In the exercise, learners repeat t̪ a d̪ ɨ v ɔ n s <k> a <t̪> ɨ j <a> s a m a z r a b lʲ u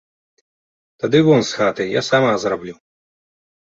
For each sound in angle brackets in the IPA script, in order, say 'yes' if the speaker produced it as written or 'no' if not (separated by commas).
no, yes, yes